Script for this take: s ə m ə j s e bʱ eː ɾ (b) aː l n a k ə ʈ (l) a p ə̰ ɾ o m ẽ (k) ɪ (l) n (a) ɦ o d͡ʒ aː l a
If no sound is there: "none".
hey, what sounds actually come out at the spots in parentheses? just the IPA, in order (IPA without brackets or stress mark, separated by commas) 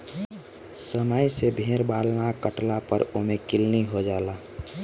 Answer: b, l, k, l, i